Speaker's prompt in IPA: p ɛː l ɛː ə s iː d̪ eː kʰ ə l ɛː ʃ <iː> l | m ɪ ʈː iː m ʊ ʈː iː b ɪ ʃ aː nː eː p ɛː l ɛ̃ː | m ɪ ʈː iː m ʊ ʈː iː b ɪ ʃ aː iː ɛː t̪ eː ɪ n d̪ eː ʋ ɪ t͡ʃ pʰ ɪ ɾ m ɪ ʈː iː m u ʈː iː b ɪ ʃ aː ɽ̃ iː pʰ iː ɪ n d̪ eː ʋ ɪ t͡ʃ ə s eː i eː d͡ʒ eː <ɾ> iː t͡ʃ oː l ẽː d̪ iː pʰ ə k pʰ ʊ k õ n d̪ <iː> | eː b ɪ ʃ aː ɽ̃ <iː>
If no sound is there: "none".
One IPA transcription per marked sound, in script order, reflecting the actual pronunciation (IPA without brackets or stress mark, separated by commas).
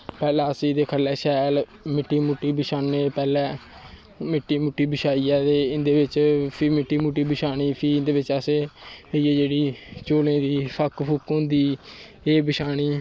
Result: ɛː, ɽ, iː, iː